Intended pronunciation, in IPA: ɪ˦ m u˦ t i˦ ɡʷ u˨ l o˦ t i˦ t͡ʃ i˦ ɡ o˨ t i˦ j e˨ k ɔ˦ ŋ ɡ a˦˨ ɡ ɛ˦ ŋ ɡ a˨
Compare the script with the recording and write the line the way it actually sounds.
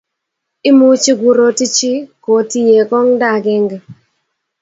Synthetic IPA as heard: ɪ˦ m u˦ t͡ʃ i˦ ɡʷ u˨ ɾ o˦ t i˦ t͡ʃ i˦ k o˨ t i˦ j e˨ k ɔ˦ ŋ d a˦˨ ɡ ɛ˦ ŋ ɡ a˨